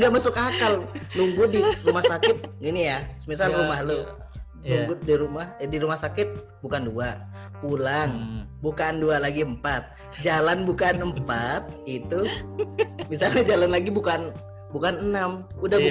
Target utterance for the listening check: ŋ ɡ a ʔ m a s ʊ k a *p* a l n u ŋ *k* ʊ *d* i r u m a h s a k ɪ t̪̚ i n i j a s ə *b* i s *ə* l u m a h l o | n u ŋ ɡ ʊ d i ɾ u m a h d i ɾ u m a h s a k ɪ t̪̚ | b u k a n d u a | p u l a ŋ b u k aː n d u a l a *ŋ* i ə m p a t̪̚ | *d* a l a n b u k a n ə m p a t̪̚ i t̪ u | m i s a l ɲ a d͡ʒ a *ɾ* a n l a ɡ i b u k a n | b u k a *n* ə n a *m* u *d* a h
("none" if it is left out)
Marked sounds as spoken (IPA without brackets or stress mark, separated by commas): k, ɡ, d, m, a, ɡ, d͡ʒ, l, n, m, d